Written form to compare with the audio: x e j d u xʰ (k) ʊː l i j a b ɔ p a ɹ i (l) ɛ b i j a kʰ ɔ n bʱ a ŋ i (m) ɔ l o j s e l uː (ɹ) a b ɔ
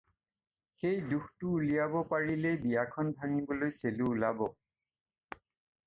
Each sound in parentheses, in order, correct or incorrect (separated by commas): incorrect, correct, incorrect, incorrect